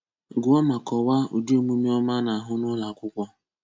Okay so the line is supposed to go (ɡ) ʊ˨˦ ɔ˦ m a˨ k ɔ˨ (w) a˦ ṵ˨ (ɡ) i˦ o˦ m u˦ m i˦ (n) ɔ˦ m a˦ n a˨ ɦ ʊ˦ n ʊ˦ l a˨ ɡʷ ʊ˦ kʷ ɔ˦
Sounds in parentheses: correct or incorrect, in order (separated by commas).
correct, correct, incorrect, incorrect